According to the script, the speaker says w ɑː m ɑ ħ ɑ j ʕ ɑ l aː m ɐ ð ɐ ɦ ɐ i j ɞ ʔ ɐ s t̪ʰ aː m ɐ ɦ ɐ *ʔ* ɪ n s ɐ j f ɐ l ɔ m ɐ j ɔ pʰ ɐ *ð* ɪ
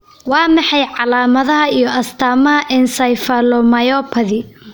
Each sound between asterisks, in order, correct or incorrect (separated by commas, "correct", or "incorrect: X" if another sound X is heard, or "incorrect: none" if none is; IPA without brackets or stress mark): correct, correct